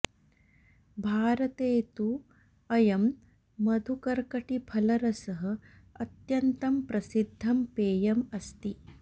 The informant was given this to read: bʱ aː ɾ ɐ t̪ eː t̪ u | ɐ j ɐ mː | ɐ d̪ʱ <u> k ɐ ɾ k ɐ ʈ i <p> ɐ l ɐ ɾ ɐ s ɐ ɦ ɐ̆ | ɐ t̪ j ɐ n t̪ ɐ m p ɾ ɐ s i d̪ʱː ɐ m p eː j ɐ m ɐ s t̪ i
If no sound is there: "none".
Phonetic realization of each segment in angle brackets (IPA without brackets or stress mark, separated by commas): u, pʰ